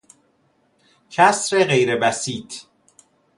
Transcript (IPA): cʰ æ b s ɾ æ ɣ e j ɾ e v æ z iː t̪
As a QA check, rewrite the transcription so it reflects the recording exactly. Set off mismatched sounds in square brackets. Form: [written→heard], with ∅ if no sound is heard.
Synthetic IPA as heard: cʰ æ [b→∅] s ɾ [æ→e] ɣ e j ɾ e [v→b] æ [z→s] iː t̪

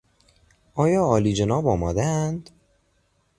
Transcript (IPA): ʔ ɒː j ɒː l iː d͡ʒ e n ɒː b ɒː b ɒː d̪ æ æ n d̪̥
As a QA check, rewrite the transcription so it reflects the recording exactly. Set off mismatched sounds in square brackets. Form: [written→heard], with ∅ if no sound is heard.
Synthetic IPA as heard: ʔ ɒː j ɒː l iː d͡ʒ e n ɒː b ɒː [b→m] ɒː d̪ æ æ n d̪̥

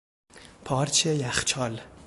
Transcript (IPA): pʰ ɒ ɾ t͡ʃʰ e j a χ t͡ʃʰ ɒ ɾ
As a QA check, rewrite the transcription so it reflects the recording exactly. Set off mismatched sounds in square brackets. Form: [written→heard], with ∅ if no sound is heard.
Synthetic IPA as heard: pʰ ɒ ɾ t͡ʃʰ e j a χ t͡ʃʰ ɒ [ɾ→l]

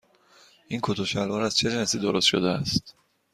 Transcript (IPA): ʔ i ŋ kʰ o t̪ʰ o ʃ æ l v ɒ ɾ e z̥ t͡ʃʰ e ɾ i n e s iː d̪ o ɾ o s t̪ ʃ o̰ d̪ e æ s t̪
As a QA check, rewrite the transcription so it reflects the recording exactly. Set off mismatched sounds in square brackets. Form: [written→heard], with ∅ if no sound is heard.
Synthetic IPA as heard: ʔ i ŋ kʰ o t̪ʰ o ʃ æ l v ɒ ɾ [e→æ] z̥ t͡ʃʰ e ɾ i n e s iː d̪ o ɾ o s t̪ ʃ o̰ d̪ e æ s t̪

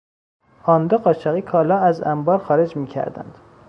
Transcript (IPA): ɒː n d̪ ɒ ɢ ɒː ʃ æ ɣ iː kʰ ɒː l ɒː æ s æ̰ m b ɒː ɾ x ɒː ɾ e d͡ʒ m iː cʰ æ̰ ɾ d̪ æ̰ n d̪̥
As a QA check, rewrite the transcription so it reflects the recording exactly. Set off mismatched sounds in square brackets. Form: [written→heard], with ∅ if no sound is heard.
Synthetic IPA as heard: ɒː n d̪ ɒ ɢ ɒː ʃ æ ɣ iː kʰ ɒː l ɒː æ [s→z] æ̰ m b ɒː ɾ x ɒː ɾ e d͡ʒ m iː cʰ æ̰ ɾ d̪ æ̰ n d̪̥

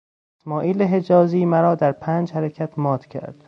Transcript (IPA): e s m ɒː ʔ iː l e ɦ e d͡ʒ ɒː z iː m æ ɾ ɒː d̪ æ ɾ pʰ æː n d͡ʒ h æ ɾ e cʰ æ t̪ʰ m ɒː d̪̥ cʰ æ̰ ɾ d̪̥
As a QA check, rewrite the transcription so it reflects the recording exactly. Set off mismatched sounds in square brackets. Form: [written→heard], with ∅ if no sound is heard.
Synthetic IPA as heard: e s m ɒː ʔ iː l e ɦ e d͡ʒ ɒː z iː m æ ɾ ɒː d̪ æ ɾ pʰ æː n d͡ʒ h æ ɾ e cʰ æ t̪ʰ m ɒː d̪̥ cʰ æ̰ ɾ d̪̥

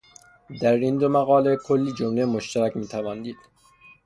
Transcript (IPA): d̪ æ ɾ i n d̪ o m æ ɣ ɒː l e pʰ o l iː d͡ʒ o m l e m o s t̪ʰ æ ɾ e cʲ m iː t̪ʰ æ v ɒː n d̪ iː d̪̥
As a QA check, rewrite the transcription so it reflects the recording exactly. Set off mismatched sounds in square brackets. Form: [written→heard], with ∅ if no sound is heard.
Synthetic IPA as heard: d̪ æ ɾ i n d̪ o m æ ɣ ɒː l e [pʰ→kʰ] o [l→lː] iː d͡ʒ o m l e m o [s→ʃ] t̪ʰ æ ɾ [e→æ] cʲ m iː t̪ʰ æ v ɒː n d̪ iː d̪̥

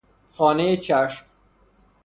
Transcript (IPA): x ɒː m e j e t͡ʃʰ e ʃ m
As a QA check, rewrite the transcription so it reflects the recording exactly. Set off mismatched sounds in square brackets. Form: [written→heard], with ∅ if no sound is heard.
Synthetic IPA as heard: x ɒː [m→n] e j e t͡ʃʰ [e→æ] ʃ m

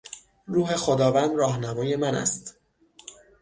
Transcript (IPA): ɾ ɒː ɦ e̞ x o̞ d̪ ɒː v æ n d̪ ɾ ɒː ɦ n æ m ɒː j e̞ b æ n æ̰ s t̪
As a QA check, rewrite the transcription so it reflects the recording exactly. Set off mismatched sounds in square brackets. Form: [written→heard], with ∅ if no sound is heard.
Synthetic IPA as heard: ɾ [ɒː→uː] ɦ e̞ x o̞ d̪ ɒː v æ n d̪ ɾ ɒː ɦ n æ m ɒː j e̞ [b→m] æ n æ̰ s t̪

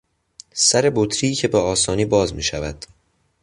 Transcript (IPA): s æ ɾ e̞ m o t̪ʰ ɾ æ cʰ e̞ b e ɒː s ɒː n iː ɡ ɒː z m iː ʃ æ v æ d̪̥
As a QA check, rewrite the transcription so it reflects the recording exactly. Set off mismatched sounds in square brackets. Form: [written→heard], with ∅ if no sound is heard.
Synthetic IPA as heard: s æ ɾ e̞ [m→b] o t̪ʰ ɾ [æ→i] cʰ e̞ b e ɒː s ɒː n iː [ɡ→b] ɒː z m iː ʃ æ v æ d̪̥

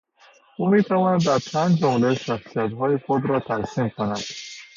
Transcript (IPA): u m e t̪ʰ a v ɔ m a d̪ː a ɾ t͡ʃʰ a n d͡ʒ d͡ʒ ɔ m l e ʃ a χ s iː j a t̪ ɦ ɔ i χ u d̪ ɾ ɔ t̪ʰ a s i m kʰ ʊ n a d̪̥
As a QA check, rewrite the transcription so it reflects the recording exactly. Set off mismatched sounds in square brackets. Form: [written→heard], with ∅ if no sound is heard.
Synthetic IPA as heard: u m e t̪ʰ a v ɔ [m→n] a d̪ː a ɾ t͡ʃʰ a n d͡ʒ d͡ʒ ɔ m l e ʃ a χ s [iː→i] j a t̪ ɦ ɔ i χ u d̪ ɾ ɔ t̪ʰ a s i m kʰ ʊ n a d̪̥

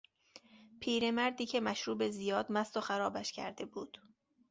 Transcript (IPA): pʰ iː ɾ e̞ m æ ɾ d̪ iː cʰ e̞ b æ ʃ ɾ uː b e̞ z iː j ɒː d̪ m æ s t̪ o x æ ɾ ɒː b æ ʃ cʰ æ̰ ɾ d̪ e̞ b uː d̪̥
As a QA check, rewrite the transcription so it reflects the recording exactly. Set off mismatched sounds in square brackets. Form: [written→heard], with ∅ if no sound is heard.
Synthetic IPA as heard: pʰ iː ɾ e̞ m æ ɾ d̪ iː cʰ e̞ [b→m] æ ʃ ɾ uː b e̞ z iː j ɒː d̪ m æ s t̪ o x æ ɾ ɒː b æ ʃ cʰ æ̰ ɾ d̪ e̞ b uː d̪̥

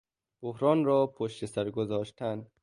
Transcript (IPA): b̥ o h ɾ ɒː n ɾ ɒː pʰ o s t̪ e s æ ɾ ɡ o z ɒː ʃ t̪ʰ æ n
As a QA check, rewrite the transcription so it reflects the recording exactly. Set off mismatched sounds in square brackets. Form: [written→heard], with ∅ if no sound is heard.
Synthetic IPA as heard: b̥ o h ɾ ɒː n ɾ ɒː pʰ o [s→ʃ] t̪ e s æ ɾ ɡ o z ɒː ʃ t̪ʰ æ n

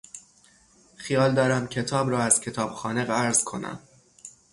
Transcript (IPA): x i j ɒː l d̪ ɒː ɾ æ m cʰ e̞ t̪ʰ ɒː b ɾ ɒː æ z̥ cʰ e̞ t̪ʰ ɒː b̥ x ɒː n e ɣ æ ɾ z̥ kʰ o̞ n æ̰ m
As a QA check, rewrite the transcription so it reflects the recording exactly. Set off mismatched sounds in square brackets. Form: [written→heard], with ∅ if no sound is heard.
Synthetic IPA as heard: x i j ɒː l d̪ ɒː ɾ æ m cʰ e̞ t̪ʰ ɒː b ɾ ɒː æ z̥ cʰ e̞ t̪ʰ ɒː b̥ x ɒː n e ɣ æ ɾ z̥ kʰ o̞ n æ̰ m

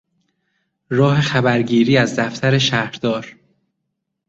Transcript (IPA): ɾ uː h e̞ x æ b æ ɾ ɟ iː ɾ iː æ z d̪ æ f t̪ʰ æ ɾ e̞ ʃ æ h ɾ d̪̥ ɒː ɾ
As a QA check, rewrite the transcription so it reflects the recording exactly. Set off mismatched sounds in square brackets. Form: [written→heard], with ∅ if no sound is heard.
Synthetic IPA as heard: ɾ [uː→ɒː] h e̞ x æ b æ ɾ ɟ iː ɾ iː æ z d̪ æ f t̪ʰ æ ɾ e̞ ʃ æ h ɾ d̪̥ ɒː ɾ

